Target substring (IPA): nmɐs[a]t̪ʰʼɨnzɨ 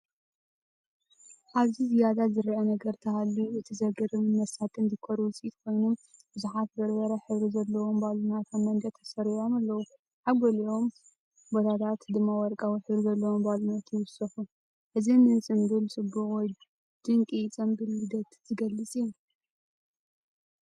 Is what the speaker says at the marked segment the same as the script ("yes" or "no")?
yes